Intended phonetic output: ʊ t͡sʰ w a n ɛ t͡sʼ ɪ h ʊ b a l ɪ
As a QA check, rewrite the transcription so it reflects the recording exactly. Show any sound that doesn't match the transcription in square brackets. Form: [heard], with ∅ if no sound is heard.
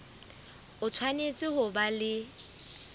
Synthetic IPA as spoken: ʊ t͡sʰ w a n [e] t͡sʼ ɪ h ʊ b a l ɪ